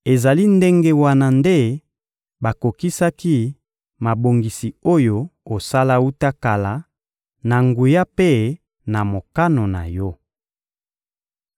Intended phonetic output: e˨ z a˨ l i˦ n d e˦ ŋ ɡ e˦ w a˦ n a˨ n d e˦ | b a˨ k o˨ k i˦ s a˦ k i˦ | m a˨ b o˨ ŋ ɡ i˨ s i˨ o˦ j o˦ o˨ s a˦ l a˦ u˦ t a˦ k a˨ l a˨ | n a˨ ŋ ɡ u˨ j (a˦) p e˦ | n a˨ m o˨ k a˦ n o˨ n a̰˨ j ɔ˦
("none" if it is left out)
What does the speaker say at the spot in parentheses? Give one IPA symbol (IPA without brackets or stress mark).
a˦